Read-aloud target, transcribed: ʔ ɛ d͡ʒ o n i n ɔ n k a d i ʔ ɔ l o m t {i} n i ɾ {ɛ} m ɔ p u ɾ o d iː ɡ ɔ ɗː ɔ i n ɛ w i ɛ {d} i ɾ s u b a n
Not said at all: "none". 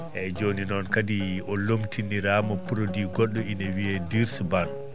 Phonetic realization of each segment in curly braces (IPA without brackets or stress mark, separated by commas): i, a, d